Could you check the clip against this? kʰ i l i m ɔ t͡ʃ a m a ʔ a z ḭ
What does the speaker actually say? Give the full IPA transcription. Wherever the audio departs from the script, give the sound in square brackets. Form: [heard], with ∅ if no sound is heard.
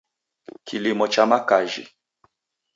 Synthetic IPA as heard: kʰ i l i m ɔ t͡ʃ a m a [k] a [ʒ] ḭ